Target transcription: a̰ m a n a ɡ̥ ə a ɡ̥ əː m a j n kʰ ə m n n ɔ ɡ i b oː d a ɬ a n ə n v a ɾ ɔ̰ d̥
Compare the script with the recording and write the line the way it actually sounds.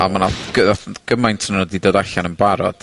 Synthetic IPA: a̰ m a n a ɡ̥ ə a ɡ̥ ə m a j n tʰ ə n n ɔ d i d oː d a ɬ a n ə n b a ɾ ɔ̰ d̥

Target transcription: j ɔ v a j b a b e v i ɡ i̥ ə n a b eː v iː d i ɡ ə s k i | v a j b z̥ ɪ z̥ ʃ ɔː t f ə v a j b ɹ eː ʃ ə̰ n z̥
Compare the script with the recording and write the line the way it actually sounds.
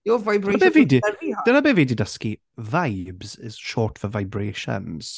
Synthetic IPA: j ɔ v a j b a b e v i d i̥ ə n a b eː v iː d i d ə s k i | v a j b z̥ ɪ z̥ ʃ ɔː t f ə v a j b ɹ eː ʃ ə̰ n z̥

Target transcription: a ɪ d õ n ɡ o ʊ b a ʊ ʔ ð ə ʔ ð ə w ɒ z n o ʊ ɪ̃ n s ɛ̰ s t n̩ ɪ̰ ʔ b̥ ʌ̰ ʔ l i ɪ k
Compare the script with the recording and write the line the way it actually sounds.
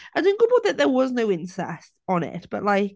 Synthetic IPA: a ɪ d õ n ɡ o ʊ b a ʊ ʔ ð ə ʔ ð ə w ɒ z n o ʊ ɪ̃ n s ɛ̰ s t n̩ ɪ̰ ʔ b̥ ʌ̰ ʔ l a ɪ k

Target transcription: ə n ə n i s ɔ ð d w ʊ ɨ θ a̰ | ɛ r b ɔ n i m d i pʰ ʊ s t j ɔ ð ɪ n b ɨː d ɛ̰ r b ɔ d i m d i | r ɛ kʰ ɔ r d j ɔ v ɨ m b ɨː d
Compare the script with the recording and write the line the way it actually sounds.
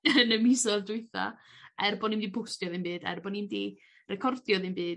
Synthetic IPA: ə n ə m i s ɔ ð d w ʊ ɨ θ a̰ | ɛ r b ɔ n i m d i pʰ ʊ s t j ɔ ð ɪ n b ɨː d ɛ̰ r b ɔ n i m d i | r ɛ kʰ ɔ r d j ɔ ð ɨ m b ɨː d

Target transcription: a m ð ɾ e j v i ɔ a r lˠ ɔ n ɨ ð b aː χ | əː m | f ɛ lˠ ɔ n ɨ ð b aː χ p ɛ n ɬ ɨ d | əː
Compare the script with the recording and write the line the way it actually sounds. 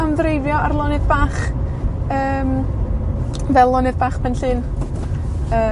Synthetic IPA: a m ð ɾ e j v j ɔ a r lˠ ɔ n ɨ ð b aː χ | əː m | v ɛ lˠ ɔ n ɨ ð b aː χ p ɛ n ɬ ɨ n | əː

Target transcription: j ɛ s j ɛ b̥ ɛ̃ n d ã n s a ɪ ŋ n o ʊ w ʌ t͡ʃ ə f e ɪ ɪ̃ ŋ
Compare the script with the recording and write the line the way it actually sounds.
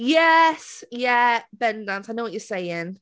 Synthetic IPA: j ɛ s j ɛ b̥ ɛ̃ n d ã n s a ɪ n o ʊ w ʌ t͡ʃ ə s e ɪ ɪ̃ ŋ

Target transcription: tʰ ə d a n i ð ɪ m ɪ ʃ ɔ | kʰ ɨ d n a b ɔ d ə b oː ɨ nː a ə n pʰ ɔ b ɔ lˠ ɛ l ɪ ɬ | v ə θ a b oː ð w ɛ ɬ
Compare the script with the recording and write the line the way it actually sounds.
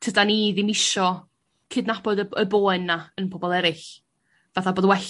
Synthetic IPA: tʰ ə d a n i ð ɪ m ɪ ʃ ɔ | kʰ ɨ d n a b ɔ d ə b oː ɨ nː a ə n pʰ ɔ b ɔ lˠ ɛ ɾ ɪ ɬ | v a θ a b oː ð w ɛ ɬ

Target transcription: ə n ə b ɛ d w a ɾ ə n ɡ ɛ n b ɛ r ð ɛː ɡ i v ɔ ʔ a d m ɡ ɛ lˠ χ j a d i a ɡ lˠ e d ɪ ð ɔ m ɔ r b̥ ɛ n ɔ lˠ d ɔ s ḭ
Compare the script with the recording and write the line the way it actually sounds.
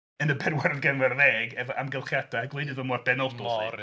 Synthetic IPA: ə n ə b ɛ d w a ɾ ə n ɡ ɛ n v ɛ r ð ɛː ɡ ɛ v ɔ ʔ a m ɡ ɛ lˠ χ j a d a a ɡ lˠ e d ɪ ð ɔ m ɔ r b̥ ɛ n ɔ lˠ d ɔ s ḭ

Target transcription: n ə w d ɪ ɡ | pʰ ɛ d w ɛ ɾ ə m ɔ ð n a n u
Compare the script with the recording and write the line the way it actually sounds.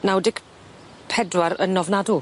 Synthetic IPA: n a w d ɪ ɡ | pʰ ɛ d w a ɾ ə n ɔ v n a d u

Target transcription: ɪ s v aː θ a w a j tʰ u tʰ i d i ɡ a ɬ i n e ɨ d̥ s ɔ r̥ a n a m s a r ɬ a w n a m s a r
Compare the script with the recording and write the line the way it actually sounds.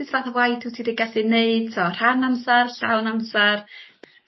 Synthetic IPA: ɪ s v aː θ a w a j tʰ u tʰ i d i ɡ a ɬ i n e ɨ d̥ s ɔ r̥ a n a m s a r ɬ a w n a m s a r

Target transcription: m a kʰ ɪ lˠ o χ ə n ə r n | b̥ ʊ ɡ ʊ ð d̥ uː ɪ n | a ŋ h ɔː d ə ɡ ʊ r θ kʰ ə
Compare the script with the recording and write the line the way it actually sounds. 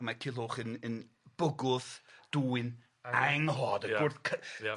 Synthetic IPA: m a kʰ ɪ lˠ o χ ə n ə n | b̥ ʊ ɡ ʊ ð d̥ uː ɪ n | a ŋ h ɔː d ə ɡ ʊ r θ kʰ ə

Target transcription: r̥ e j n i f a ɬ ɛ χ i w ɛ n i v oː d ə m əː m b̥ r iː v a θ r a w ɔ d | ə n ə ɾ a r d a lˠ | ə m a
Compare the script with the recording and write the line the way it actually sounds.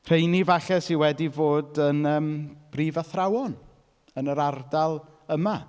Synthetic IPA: r̥ e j n i v a ɬ ɛ s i w ɛ d i v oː d ə n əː m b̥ r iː v a θ r a w ɔ n | ə n ə ɾ a r d a lˠ | ə m a

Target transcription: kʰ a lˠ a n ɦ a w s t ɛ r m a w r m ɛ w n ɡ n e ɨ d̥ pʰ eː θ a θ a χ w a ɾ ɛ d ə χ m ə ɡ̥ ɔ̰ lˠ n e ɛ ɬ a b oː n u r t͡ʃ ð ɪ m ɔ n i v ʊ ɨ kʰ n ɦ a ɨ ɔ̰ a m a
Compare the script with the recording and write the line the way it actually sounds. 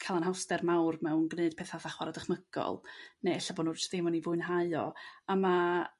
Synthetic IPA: kʰ a lˠ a n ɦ a w s t ɛ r m a w r m ɛ w n ɡ n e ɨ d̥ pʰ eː θ a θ a χ w a ɾ a d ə χ m ə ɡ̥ ɔ̰ lˠ n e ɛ ɬ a b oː n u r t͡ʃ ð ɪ m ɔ n i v ʊ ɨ n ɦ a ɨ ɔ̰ a m a

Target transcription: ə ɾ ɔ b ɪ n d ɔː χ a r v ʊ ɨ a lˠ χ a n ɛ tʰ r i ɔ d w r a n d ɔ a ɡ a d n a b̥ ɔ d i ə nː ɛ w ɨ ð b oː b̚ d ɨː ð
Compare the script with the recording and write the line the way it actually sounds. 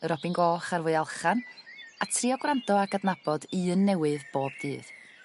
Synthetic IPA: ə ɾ ɔ b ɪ n ɡ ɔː χ a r v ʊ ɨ a lˠ χ a n a tʰ r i ɔ ɡ w r a n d ɔ a ɡ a d n a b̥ ɔ d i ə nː ɛ w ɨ ð b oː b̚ d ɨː ð

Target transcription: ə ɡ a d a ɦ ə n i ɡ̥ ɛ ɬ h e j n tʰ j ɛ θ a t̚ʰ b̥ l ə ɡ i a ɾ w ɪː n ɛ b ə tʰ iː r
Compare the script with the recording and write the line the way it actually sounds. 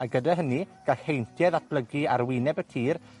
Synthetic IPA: a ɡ ə d a ɦ ə n i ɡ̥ a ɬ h e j n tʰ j ɛ ð a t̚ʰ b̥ l ə ɡ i a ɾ w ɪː n ɛ b ə tʰ iː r

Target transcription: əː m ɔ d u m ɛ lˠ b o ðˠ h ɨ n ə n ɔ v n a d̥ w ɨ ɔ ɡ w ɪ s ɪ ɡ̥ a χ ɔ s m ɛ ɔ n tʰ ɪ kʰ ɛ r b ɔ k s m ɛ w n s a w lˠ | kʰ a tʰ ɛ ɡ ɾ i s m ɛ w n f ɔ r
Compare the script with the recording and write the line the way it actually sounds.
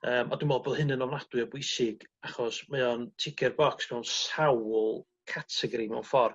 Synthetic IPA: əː m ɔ d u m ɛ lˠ b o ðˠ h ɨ n ə n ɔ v n a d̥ w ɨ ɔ b w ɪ s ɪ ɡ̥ a χ ɔ s m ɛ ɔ n tʰ ɪ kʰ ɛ r b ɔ k s m ɛ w n s a w lˠ | kʰ a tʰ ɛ ɡ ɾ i m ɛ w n f ɔ r

